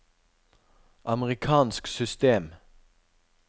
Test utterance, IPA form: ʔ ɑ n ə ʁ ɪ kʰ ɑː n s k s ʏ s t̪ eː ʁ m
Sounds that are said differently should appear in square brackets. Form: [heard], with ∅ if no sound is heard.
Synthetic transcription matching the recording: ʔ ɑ [m] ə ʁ ɪ kʰ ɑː n s k s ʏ s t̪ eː [∅] m